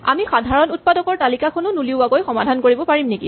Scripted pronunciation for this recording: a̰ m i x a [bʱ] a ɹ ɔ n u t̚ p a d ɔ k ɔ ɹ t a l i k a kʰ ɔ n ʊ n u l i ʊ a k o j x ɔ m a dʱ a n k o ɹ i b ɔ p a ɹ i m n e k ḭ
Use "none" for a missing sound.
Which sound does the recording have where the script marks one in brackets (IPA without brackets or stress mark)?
dʱ